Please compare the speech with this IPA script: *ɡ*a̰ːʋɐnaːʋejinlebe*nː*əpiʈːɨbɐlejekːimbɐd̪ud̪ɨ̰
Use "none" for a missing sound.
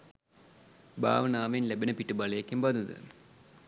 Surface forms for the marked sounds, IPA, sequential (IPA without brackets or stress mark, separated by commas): b, n